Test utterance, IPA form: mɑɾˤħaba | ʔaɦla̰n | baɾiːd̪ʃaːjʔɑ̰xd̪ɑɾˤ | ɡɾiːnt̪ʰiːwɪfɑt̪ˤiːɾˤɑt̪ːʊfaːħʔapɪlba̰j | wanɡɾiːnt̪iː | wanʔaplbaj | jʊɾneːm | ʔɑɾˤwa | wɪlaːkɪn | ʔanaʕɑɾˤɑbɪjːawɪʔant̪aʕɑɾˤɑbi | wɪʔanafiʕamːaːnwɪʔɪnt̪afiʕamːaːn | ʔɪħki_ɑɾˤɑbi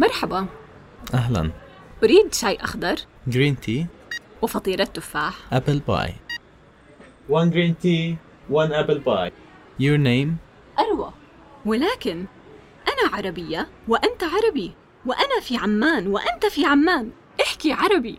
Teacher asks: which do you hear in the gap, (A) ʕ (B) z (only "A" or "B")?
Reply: A